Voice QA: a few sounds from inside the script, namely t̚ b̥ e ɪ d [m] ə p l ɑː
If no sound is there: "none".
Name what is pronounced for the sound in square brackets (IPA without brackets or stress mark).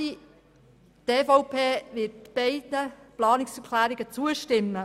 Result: n